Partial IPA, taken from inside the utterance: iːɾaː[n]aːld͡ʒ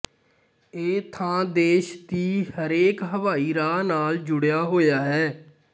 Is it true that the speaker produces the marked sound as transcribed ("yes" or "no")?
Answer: yes